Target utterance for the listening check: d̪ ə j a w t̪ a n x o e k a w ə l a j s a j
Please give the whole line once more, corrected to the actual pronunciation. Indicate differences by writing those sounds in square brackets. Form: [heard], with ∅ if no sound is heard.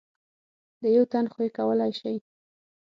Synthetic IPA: d̪ ə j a w t̪ a n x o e k a w ə l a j [ʃ] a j

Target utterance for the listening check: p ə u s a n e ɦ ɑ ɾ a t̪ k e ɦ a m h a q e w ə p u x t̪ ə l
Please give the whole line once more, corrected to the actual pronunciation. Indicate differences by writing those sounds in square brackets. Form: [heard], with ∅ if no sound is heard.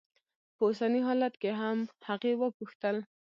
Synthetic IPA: p ə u s a n [i] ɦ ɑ [l] a t̪ k e ɦ a m h a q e w ə p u x t̪ ə l

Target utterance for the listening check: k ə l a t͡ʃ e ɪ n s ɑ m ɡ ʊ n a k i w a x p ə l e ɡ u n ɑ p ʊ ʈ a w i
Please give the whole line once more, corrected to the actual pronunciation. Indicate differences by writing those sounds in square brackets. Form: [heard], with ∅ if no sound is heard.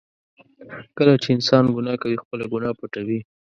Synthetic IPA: k ə l a t͡ʃ e ɪ n s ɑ [n] ɡ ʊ n [ɑ] k [a] w [i] x p ə l [a] ɡ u n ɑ p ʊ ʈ a w i

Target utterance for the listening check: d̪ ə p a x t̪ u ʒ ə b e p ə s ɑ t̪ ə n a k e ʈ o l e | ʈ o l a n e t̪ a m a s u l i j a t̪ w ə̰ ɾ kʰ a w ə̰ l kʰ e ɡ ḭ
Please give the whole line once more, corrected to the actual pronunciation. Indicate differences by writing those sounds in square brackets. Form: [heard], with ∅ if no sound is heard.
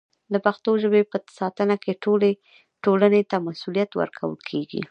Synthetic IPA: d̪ ə p a x t̪ [o] ʒ ə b e p ə s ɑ t̪ ə n a k e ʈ o l e | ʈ o l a n e t̪ a m a s u l i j a t̪ w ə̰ ɾ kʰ a w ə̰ l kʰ e ɡ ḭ

